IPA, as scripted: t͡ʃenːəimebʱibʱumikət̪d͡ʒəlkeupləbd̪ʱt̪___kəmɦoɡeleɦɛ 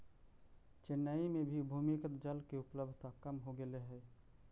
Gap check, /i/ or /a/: a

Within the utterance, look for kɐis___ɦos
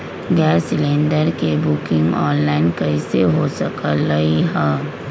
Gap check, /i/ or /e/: e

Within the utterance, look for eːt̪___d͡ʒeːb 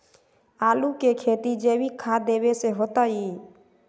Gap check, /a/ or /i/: i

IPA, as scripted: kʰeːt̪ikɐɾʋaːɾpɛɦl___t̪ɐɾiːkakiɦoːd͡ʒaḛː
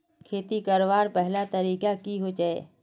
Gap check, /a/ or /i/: a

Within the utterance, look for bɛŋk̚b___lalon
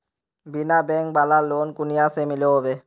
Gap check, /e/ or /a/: a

